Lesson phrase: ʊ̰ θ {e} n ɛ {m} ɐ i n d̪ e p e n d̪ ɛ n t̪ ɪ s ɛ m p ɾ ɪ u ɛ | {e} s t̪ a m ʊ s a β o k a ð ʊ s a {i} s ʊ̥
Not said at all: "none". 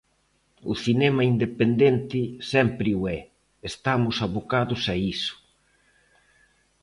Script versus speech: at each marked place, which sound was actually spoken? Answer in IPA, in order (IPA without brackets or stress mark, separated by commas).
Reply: i, m, e, i